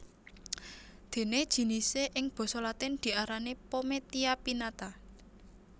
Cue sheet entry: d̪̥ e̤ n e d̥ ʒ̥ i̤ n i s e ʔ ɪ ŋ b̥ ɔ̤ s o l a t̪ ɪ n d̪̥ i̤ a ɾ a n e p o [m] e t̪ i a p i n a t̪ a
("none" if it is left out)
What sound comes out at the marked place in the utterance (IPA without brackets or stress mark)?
m